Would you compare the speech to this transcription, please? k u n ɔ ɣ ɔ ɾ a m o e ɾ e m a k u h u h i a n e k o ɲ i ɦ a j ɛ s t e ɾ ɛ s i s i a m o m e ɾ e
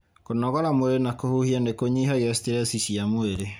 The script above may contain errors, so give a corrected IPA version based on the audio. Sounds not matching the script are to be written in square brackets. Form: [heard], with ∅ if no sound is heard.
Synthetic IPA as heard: k [o] n ɔ ɣ ɔ ɾ a m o e ɾ e [n] a k [o] h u h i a n e k o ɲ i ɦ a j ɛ s t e ɾ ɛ s i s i a m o [∅] e ɾ e

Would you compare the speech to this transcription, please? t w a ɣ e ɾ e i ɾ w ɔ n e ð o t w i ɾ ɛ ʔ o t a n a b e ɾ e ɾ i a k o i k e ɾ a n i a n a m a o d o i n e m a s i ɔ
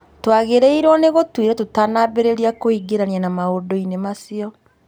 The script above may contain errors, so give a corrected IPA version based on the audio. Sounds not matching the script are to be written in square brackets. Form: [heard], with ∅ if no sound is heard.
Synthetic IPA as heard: t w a ɣ e ɾ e i ɾ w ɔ n e [ɣ] o t w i ɾ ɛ [t] o t a n a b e ɾ e ɾ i a k o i [ɡ] e ɾ a n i a n a m a o d o i n e m a s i ɔ

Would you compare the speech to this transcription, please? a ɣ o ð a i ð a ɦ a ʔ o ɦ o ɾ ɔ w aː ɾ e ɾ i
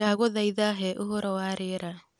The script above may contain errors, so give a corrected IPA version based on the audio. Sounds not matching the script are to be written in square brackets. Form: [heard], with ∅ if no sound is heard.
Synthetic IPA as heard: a ɣ o ð a i ð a ɦ [ɛ] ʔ o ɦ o ɾ ɔ w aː ɾ e ɾ [a]

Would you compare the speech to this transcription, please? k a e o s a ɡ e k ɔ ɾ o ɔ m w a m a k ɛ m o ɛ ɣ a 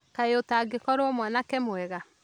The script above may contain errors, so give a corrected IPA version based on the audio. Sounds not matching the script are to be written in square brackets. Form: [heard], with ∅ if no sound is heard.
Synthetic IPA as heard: k a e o [t] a ɡ e k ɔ ɾ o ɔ m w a [n] a k ɛ m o ɛ ɣ a

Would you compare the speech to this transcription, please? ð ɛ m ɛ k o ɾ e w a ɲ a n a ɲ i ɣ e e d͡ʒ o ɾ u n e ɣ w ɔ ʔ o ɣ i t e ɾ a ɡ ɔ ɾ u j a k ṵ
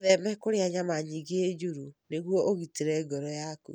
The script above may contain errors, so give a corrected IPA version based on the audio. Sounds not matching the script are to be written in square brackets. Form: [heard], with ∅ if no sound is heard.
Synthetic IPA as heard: ð ɛ m ɛ k o ɾ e [∅] a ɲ a [m] a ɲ i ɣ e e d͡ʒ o ɾ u n e ɣ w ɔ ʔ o ɣ i t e ɾ [ɛ] ɡ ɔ ɾ [ɔ] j a k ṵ

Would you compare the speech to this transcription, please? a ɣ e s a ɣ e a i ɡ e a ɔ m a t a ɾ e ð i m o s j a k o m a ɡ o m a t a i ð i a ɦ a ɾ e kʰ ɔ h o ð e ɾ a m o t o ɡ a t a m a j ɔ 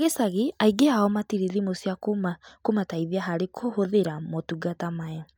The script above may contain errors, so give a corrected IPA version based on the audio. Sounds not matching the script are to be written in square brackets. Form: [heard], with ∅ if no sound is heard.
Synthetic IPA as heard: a ɣ e s a ɣ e a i ɡ e a ɔ m a t [i] ɾ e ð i m o s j a k o m a [k] o m a t a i ð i a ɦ a ɾ e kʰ [o] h o ð e ɾ a m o t [u] ɡ a t a m a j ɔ

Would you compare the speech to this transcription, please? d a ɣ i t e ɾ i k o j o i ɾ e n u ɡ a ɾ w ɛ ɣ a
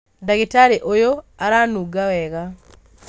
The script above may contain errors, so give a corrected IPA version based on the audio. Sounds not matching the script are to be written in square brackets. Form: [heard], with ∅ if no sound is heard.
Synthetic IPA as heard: d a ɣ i t [a] ɾ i [ʔ] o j o [a] ɾ [a] n u ɡ a [∅] w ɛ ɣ a

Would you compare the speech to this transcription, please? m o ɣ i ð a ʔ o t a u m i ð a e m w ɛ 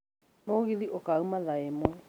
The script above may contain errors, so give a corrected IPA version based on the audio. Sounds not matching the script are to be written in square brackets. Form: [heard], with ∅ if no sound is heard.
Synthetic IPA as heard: [n] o ɣ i ð [i] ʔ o [k] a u m [a] ð a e m w ɛ

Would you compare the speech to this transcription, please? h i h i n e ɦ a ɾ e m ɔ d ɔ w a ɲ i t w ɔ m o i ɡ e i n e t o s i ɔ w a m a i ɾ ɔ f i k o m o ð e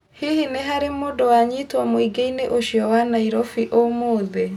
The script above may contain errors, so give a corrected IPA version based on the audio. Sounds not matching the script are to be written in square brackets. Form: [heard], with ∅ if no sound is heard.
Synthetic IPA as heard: h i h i n e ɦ a ɾ e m [o] d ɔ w a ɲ i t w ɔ m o i ɡ e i n e [ʔ] o [ʃ] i ɔ w a [n] a i ɾ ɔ f i [ʔ] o m o ð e

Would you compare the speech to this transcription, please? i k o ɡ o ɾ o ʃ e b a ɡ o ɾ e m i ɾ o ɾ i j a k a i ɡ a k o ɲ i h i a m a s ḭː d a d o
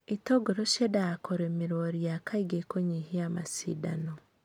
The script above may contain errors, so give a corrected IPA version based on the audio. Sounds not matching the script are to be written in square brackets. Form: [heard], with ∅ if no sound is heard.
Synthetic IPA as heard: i [t] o ɡ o ɾ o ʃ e [d] a [k] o ɾ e m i ɾ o ɾ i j a k a i ɡ [e] k o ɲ i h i a m a s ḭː d a [n] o

